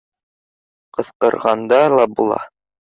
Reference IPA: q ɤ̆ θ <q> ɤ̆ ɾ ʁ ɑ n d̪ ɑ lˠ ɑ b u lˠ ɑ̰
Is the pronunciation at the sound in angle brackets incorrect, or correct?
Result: correct